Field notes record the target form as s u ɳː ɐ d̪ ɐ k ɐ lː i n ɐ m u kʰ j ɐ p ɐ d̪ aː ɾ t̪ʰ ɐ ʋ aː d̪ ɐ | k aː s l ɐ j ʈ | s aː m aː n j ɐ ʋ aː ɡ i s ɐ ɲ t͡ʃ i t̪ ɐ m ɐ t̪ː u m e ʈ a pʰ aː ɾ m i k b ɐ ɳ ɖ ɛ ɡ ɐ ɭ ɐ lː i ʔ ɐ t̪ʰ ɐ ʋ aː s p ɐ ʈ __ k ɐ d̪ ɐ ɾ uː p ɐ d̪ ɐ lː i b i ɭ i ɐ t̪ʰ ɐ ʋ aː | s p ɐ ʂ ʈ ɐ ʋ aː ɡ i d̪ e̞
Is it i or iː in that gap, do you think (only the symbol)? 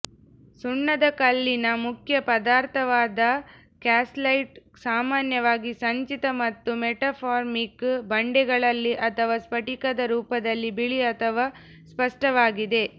i